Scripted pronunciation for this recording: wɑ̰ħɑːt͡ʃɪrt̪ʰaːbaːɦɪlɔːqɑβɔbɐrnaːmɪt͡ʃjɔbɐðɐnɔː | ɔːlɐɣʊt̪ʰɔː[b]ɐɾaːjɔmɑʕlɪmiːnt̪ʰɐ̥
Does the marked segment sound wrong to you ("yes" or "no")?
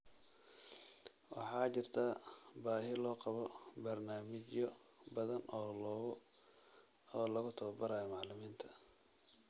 no